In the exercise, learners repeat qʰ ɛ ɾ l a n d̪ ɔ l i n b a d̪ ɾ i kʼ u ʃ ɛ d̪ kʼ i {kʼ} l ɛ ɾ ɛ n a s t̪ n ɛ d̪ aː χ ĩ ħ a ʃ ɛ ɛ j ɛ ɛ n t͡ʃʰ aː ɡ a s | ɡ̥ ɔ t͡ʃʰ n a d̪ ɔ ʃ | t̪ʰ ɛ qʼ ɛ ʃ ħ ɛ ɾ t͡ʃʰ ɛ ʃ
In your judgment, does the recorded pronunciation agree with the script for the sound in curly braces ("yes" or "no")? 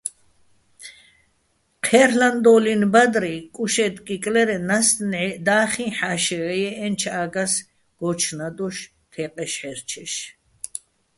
yes